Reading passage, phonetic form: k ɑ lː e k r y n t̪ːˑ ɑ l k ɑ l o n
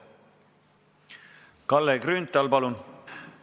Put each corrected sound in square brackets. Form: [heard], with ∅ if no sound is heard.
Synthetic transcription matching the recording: k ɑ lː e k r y n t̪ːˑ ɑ l [p] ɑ l [u] n